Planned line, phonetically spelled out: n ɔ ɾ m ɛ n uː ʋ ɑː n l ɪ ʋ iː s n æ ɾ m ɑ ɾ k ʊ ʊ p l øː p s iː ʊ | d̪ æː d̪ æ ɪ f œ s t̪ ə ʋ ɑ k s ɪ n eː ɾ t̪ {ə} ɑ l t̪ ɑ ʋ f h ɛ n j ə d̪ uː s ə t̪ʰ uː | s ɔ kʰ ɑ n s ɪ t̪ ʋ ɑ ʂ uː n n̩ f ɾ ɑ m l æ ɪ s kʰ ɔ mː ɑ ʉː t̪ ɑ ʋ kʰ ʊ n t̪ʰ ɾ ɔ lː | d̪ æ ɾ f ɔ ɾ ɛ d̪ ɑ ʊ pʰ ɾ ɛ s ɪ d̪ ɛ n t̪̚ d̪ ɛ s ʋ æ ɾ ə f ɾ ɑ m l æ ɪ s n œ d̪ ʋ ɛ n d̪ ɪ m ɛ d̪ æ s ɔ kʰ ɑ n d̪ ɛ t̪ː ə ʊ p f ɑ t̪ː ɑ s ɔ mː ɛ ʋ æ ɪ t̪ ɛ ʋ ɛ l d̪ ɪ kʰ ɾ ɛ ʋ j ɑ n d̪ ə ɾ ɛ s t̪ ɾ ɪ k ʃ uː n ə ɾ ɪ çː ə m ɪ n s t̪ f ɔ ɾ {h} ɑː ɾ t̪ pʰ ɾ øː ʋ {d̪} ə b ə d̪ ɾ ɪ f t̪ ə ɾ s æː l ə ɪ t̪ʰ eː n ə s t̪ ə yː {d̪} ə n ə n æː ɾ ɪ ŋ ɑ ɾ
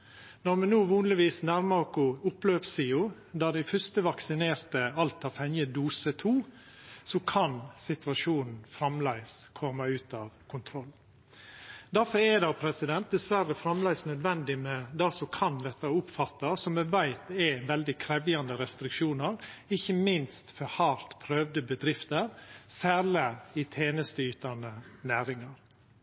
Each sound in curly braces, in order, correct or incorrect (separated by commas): correct, correct, correct, incorrect